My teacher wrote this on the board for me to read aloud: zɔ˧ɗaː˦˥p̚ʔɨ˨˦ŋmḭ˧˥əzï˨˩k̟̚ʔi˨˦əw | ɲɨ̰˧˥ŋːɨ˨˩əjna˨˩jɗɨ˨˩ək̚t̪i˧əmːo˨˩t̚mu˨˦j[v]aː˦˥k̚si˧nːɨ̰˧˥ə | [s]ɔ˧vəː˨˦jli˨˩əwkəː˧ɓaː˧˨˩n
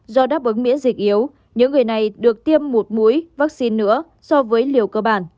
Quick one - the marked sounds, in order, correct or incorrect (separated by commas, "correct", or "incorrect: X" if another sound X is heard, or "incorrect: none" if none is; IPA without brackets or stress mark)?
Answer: correct, correct